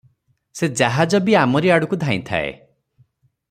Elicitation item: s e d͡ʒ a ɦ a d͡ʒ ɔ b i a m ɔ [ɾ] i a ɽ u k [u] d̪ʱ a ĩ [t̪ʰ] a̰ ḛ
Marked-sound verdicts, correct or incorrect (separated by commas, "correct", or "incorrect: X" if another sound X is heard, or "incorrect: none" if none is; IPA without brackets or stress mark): correct, correct, correct